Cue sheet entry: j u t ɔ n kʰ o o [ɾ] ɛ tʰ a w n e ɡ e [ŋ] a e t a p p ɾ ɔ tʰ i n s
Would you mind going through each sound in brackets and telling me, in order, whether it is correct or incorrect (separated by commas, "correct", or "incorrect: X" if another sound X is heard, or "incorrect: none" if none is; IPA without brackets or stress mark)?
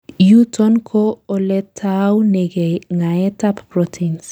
incorrect: l, correct